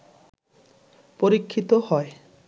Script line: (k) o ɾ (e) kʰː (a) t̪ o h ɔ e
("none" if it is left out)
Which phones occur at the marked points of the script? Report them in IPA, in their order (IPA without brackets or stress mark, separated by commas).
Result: p, i, i